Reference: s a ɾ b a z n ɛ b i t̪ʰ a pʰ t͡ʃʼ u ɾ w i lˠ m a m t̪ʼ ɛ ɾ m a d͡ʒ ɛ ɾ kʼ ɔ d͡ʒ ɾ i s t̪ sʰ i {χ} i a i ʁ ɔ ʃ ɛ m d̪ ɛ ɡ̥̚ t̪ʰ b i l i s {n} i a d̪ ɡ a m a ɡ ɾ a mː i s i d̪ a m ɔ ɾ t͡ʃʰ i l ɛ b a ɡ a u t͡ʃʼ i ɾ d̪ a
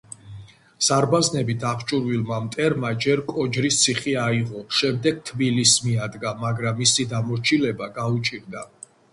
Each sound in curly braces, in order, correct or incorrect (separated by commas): correct, incorrect